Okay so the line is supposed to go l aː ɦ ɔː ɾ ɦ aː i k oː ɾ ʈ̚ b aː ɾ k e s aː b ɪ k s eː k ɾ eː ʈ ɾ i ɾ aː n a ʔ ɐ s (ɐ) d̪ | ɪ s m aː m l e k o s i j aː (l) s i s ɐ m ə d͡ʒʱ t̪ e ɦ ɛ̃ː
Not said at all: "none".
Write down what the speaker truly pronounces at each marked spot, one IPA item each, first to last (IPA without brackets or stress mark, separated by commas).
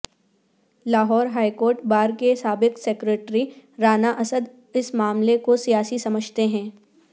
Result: ə, none